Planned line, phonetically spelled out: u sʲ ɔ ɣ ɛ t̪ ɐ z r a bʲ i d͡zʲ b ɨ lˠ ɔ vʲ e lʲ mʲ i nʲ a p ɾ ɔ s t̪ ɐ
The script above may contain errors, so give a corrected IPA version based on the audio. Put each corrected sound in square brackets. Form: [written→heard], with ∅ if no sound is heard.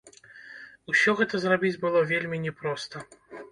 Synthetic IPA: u sʲ ɔ ɣ ɛ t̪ ɐ z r a bʲ i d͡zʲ b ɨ lˠ ɔ vʲ e lʲ mʲ i nʲ [a→ɛ] p ɾ ɔ s t̪ ɐ